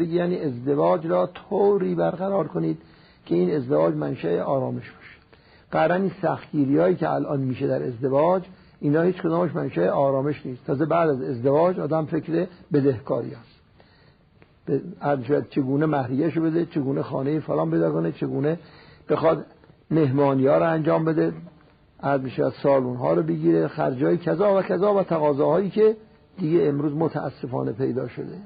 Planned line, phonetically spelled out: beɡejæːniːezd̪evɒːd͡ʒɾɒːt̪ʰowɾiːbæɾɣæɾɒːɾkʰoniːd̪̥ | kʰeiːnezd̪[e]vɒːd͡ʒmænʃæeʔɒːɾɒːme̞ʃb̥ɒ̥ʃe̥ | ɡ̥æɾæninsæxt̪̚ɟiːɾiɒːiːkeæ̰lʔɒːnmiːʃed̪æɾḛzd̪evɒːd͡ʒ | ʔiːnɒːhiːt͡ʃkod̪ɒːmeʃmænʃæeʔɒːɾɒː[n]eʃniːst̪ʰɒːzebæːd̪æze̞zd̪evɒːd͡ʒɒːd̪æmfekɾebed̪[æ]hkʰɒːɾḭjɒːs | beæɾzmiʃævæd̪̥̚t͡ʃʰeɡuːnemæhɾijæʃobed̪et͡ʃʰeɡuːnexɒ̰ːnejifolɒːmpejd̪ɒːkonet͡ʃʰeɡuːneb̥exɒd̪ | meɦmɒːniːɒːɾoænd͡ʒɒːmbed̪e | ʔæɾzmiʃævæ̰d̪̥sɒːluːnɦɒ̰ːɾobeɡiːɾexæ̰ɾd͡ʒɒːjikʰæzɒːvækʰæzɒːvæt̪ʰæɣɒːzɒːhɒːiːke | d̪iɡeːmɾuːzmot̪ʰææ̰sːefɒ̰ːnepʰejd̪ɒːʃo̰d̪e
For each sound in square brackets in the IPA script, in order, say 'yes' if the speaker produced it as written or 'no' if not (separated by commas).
yes, no, no